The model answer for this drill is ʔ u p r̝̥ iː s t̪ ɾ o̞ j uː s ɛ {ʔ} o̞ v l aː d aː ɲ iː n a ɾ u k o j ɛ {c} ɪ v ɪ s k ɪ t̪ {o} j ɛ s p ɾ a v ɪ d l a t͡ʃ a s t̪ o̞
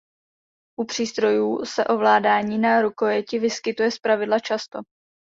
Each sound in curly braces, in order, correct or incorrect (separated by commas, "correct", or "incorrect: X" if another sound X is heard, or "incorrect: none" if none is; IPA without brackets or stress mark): correct, correct, incorrect: u